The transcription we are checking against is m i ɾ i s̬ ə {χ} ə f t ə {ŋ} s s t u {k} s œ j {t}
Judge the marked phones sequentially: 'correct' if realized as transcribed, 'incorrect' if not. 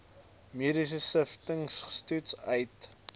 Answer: incorrect, correct, incorrect, correct

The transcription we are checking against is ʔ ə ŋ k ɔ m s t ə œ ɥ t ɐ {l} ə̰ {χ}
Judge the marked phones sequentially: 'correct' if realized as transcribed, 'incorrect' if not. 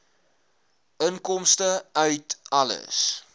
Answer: correct, incorrect

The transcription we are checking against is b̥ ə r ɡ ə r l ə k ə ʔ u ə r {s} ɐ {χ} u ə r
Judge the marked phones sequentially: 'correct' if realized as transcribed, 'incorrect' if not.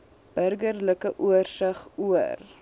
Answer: correct, correct

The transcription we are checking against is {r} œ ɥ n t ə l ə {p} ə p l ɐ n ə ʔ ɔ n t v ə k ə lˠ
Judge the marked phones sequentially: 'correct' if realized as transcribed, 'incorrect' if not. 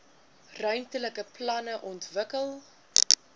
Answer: correct, incorrect

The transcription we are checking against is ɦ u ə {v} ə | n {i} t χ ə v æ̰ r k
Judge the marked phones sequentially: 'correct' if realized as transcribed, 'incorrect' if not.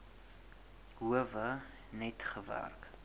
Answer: correct, incorrect

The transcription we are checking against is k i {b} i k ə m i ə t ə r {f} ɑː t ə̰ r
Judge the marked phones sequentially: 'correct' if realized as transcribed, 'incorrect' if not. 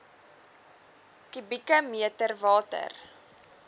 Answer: correct, incorrect

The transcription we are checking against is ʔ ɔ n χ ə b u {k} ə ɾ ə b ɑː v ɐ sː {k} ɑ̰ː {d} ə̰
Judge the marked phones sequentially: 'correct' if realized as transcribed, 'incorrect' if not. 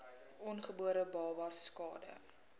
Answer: incorrect, correct, correct

